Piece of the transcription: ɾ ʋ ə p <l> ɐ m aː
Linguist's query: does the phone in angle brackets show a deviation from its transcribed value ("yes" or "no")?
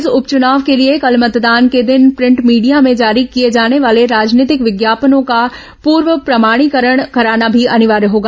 yes